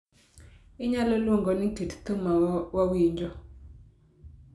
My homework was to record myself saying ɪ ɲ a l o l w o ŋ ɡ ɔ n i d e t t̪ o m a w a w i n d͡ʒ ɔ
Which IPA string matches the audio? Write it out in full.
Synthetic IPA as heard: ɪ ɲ a l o l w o ŋ ɡ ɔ n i t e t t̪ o m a w a w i ɲ d͡ʒ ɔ